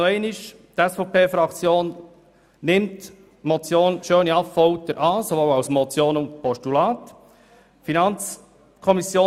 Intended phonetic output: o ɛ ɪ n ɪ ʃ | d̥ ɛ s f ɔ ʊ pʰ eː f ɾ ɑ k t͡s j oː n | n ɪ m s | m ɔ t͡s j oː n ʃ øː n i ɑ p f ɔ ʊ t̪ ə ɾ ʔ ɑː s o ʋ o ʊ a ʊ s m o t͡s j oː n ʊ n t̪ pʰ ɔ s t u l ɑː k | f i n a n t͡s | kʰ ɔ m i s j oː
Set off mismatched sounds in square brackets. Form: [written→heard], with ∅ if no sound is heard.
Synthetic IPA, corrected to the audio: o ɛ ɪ n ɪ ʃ | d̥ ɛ s f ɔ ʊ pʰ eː f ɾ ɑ k t͡s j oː n | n ɪ m [s→t] | m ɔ t͡s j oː n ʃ øː n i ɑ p f ɔ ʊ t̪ ə ɾ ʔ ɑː s o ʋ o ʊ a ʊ s m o t͡s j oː n ʊ n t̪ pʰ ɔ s t u l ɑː [k→t] | f i n [a→ɑ] n t͡s | kʰ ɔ m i s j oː